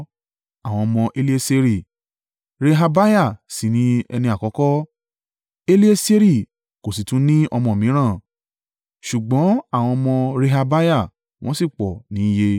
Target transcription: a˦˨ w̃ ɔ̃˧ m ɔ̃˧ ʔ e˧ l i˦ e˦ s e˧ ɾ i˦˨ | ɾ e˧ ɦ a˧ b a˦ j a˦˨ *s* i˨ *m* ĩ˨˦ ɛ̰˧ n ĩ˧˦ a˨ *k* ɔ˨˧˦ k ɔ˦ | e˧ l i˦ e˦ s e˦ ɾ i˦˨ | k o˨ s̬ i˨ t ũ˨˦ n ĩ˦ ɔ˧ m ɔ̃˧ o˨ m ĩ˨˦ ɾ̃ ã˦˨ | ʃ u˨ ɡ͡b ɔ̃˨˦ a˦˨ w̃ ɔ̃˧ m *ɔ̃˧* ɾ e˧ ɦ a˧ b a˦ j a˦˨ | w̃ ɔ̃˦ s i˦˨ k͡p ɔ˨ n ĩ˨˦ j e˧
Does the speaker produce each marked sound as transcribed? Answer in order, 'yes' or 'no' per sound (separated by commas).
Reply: yes, no, yes, yes